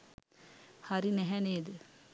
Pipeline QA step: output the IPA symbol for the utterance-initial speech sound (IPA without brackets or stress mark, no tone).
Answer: h